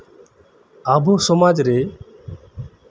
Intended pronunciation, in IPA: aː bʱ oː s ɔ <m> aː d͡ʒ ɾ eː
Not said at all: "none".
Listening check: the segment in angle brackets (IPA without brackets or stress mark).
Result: m